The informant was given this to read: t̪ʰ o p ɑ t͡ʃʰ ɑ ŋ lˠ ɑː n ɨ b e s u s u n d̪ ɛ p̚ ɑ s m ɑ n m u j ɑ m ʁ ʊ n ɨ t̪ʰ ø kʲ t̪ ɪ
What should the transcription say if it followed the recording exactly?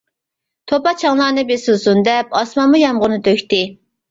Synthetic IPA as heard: t̪ʰ o p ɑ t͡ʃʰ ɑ ŋ lˠ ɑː n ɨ b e s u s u n d̪ ɛ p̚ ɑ s m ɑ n m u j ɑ m ʁ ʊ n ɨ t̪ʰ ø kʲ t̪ ɪ